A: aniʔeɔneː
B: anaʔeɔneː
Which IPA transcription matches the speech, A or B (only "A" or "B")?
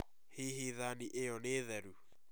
A